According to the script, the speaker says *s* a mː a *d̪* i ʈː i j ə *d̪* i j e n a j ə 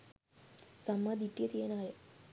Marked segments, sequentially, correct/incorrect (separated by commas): correct, correct, incorrect